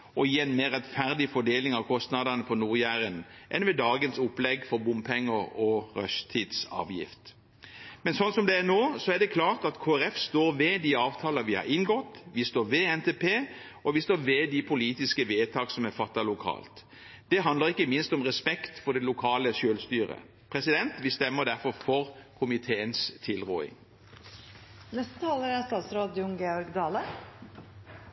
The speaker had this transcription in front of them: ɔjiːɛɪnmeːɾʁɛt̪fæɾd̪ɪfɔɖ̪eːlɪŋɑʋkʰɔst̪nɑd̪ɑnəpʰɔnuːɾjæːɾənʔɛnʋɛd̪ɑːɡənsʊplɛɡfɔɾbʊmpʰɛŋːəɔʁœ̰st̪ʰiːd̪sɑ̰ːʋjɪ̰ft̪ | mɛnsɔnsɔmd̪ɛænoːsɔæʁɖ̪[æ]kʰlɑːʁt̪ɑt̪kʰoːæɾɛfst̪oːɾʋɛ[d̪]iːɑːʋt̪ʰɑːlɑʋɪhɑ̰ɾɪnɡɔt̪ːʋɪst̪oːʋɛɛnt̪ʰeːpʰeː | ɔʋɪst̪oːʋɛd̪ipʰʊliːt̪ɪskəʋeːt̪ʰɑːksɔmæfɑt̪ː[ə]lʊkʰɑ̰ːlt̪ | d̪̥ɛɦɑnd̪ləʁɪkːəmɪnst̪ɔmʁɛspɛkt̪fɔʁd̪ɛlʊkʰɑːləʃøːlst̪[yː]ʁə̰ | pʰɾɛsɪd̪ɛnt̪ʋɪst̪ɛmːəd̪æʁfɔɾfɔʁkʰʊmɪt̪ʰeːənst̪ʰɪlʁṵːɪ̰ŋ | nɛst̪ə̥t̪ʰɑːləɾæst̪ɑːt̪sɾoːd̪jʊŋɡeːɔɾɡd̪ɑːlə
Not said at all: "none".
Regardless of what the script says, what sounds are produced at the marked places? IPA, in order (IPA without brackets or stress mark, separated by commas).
ɛ, d̪, ɑ, yː